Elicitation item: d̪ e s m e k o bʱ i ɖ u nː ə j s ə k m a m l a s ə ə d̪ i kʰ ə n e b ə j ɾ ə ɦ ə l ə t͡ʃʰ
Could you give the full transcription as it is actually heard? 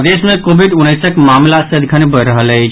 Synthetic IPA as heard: d̪ e s m e k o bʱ i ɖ u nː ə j s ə k m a m l a s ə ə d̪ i kʰ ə n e b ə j ɾ ə ɦ ə l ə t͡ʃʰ